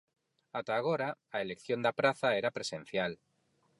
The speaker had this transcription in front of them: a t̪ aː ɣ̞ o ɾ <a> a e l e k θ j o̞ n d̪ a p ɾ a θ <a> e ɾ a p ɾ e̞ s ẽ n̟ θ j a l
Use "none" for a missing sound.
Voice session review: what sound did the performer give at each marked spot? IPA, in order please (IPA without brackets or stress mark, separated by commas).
a, a